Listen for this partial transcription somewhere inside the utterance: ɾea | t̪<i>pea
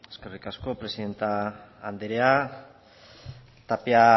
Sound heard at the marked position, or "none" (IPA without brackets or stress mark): a